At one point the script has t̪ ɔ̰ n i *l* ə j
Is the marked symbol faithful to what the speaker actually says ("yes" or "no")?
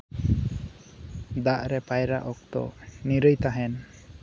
no